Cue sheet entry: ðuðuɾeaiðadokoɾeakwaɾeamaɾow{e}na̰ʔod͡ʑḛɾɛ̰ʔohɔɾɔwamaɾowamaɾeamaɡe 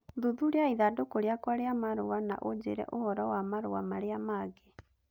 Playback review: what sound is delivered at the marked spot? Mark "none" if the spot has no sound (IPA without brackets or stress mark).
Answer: a